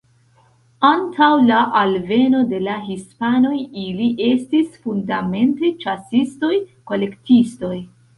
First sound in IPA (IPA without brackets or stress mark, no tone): a